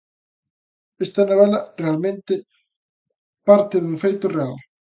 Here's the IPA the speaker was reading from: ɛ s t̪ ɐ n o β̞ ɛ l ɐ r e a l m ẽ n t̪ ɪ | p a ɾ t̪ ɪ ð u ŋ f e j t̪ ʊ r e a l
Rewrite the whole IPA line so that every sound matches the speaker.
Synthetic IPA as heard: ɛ s t̪ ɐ n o β̞ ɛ l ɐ r e a l m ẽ n t̪ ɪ | p a ɾ t̪ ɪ ð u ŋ f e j t̪ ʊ r e a l